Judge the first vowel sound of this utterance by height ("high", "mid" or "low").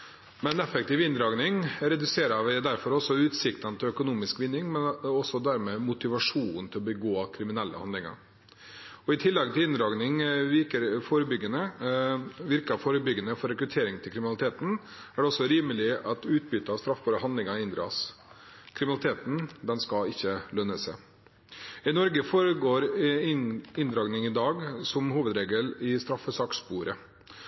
mid